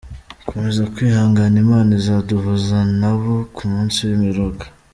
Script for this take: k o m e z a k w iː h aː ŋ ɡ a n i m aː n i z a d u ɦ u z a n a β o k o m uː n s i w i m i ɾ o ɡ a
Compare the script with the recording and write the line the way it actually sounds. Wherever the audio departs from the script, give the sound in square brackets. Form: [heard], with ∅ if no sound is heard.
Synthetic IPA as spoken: k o m e z a k w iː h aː ŋ ɡ a n i m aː n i z a d u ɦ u z a n a β o k [u] m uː n s i w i m i ɾ o ɡ a